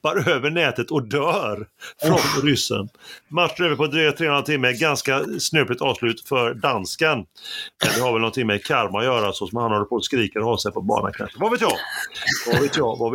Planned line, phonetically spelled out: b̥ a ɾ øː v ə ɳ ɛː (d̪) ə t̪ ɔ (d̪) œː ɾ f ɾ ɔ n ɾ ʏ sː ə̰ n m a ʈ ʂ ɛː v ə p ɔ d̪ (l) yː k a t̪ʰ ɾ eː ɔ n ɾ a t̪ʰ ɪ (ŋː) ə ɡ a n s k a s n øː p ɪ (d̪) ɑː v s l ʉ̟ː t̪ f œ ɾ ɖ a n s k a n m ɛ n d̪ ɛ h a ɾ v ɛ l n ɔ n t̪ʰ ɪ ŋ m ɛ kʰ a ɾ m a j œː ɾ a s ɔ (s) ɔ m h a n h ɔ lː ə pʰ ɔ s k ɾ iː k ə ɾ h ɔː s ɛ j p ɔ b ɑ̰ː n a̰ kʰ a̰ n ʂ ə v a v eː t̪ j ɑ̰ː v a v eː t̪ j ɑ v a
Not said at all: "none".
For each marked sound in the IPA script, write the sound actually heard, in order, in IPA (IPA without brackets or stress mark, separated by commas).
t̪, d̪, ɾ, mː, t̪, s